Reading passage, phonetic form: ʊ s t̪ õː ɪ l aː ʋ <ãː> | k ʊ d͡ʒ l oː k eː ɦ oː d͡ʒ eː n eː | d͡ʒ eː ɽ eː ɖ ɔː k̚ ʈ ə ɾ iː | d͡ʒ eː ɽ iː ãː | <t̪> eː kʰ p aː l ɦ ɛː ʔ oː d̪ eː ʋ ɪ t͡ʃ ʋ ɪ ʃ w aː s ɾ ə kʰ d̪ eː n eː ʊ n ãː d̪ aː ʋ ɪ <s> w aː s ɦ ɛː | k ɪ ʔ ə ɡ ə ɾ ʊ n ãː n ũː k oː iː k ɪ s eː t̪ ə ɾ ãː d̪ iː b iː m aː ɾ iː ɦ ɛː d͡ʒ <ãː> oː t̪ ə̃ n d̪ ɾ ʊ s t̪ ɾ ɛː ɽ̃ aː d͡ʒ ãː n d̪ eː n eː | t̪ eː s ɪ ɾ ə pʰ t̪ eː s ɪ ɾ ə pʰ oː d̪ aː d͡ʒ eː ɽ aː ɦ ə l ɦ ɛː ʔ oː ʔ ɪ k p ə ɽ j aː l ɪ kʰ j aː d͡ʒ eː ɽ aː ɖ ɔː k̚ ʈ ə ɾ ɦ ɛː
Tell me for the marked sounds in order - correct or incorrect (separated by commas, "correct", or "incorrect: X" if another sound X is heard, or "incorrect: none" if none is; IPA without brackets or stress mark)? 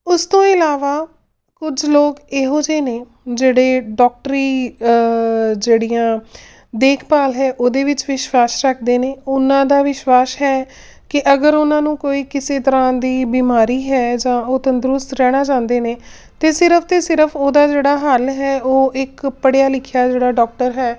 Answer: incorrect: aː, incorrect: d̪, incorrect: ʃ, correct